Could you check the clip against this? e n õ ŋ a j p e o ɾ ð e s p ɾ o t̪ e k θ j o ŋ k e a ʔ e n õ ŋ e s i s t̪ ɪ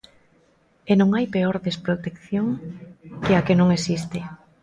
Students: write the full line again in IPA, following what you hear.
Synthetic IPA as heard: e n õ ŋ a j p e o ɾ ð e s p ɾ o t̪ e k θ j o ŋ k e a k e n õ ŋ e s i s t̪ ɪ